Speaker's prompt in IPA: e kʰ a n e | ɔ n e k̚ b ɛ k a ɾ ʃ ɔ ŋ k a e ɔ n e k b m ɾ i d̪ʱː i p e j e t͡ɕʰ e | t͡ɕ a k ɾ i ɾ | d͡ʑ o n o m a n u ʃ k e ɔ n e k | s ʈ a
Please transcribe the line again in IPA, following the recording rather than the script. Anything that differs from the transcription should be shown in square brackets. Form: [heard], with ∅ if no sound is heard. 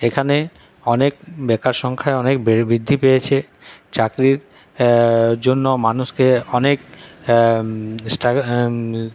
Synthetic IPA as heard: e kʰ a n e | ɔ n e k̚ b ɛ k a ɾ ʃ ɔ ŋ [kʰ] a e ɔ n e k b [b] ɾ i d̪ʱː i p e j e t͡ɕʰ e | t͡ɕ a k ɾ i ɾ | d͡ʑ o [nː] o m a n u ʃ k e ɔ n e k | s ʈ a

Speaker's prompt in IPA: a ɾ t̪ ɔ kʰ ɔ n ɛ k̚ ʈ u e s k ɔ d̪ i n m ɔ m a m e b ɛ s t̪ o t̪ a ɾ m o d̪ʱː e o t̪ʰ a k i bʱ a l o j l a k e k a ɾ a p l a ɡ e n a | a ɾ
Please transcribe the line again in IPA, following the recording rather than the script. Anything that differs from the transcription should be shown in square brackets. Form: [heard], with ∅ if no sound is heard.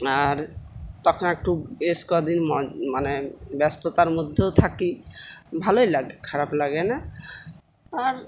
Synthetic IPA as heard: a ɾ t̪ ɔ kʰ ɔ n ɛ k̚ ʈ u e s k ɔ d̪ i n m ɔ m a [n] e b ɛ s t̪ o t̪ a ɾ m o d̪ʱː e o t̪ʰ a k i bʱ a l o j l a [ɡ] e [kʰ] a ɾ a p l a ɡ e n a | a ɾ

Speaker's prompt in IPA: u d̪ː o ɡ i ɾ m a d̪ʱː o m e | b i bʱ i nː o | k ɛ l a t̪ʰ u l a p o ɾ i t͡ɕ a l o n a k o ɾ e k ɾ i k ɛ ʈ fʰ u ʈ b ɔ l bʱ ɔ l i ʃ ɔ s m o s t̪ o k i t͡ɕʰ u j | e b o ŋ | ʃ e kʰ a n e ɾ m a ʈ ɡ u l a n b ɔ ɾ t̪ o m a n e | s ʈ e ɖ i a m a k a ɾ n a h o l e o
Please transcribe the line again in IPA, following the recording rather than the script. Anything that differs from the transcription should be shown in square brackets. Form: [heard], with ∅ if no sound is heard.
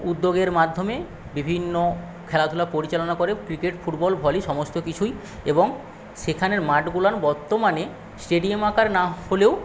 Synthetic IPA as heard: u d̪ː o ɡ [e] ɾ m a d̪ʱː o m e | b i bʱ i nː o | [kʰ] ɛ l a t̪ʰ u l a p o ɾ i t͡ɕ a l o n a k o ɾ e k ɾ i k [e] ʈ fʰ u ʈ b ɔ l bʱ ɔ l i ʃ ɔ [∅] m o s t̪ o k i t͡ɕʰ u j | e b o ŋ | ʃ e kʰ a n e ɾ m a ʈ ɡ u l a n b ɔ ɾ t̪ o m a n e | s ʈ e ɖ i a m a k a ɾ n a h o l e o

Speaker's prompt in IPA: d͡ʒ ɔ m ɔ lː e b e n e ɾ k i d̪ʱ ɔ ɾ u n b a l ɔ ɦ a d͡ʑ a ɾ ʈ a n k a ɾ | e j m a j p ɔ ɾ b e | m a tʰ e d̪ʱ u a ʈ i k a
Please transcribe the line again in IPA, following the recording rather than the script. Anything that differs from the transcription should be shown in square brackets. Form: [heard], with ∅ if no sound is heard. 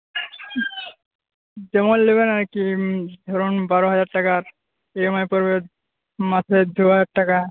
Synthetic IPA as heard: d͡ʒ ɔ m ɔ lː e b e n [a] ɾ k i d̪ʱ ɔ ɾ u n b a [ɾ] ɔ ɦ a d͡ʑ a ɾ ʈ a [∅] k a ɾ | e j m a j p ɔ ɾ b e | m a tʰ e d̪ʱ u a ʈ [a] k a

